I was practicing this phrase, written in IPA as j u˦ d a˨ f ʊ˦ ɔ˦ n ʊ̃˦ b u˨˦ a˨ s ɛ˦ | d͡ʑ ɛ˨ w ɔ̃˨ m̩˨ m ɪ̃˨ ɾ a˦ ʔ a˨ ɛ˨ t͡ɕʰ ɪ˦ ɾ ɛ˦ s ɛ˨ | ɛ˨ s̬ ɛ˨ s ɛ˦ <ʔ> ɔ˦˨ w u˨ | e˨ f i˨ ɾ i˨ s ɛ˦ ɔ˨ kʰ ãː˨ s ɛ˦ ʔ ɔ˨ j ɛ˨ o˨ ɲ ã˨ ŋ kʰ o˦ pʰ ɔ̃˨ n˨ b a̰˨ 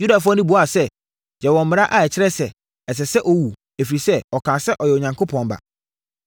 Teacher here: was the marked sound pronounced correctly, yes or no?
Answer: yes